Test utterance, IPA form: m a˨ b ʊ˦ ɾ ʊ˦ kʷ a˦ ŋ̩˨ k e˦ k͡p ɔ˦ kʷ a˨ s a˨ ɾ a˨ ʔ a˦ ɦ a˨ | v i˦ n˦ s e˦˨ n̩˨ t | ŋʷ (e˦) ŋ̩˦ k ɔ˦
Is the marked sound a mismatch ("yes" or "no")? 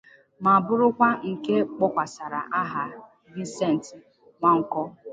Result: yes